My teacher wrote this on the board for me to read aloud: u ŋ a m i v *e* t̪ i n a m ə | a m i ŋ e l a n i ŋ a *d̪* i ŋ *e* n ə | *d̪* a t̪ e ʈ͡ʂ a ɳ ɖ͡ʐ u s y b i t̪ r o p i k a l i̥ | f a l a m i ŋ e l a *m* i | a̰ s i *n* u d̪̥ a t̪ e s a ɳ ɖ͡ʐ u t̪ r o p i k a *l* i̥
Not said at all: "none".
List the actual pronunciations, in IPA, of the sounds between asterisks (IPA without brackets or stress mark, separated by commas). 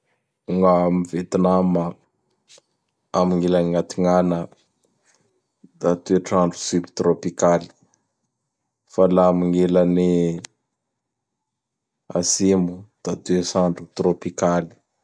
e, t̪, a, d̪, n, m, l